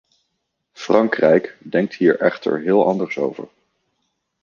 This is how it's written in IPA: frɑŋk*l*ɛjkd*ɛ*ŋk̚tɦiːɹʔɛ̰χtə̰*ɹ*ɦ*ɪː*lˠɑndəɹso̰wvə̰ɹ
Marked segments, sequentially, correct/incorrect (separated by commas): incorrect, correct, correct, correct